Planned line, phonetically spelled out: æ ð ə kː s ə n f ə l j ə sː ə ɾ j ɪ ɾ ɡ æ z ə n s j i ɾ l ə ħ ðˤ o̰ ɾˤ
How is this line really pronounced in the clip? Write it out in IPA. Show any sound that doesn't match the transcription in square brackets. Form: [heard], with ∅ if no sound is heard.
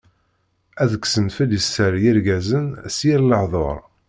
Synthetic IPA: æ ð ə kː s ə n f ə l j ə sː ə ɾ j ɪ ɾ ɡ æ z ə n s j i ɾ l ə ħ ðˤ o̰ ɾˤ